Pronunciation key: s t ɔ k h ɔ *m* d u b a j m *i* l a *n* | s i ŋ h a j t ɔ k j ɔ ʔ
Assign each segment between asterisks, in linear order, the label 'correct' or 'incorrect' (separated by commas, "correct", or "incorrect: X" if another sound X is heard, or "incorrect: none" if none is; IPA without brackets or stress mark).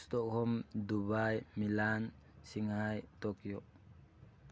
correct, correct, correct